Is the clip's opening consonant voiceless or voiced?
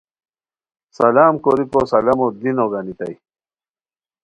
voiceless